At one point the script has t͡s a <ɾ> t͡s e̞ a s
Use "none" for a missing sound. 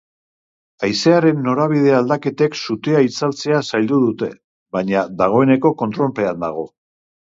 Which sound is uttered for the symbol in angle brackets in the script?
l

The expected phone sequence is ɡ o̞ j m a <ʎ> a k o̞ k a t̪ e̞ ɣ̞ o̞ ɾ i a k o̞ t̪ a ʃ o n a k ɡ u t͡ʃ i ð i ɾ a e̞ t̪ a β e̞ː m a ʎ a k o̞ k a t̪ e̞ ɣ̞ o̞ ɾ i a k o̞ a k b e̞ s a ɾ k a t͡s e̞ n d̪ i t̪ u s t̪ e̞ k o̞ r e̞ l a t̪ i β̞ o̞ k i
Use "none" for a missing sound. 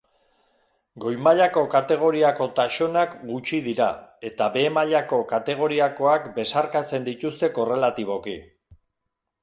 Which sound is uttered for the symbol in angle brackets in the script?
ʎ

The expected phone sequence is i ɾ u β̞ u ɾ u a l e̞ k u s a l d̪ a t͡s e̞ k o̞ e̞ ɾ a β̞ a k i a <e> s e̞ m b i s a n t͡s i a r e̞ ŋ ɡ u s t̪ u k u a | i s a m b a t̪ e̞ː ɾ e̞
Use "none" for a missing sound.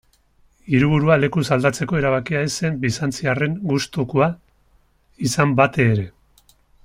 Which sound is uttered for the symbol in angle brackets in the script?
e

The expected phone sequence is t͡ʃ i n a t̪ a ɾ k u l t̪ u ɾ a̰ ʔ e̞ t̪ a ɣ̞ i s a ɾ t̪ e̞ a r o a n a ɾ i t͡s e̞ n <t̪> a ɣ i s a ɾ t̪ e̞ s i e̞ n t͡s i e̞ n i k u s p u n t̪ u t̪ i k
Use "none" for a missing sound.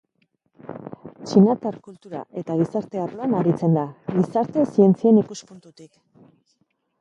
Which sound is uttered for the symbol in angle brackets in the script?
d̪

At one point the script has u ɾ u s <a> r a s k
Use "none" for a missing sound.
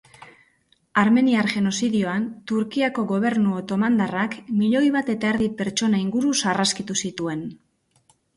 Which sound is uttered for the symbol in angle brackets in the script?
a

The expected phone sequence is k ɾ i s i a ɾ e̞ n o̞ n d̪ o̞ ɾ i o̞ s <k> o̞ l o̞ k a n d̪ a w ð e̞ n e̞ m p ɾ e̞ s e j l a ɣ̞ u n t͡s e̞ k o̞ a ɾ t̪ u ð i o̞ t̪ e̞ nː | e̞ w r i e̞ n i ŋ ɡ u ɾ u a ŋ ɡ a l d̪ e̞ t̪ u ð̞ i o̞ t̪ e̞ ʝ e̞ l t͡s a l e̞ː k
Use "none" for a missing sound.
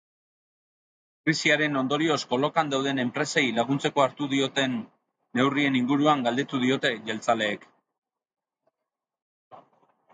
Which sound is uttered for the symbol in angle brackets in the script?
k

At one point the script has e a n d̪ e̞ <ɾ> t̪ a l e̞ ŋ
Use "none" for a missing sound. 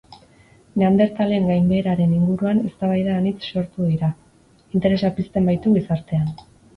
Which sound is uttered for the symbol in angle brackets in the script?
ɾ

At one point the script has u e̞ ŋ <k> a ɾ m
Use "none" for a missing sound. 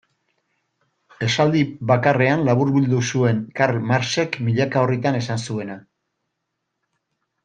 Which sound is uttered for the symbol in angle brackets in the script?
k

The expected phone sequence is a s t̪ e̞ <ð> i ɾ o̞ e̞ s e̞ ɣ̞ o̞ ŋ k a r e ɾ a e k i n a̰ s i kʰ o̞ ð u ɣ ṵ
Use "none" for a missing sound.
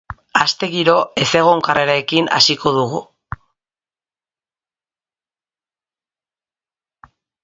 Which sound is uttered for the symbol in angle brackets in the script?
ɣ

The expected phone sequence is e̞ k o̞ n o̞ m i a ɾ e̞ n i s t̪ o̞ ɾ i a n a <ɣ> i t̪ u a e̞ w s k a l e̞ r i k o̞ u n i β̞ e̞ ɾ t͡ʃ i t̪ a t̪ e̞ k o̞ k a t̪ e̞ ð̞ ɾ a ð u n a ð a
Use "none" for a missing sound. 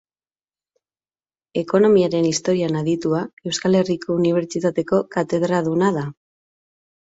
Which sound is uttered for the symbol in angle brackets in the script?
ð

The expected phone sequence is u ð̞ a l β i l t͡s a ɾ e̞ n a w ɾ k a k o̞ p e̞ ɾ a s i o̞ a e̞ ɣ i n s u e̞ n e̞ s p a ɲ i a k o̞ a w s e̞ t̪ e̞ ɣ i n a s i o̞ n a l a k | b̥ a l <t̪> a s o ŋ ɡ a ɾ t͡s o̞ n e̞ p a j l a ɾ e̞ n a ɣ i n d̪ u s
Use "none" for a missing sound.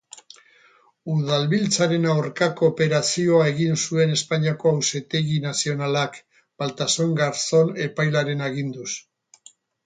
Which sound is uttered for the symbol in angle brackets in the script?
t̪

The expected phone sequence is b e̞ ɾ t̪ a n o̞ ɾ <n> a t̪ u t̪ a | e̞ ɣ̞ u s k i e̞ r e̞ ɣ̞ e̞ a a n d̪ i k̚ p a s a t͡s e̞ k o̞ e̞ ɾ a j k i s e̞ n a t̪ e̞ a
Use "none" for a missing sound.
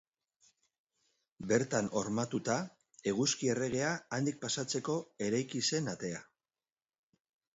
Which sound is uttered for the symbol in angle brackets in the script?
m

